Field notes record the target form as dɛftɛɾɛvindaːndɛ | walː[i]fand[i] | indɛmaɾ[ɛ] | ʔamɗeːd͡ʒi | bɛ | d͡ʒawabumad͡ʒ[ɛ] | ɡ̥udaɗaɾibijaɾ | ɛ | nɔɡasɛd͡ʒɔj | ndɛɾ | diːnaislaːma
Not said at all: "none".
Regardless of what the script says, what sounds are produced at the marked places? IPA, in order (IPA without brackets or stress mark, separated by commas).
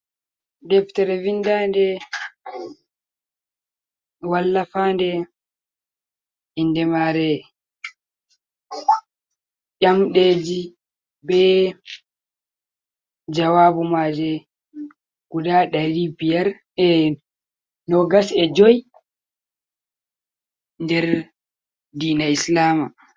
a, ɛ, ɛ, ɛ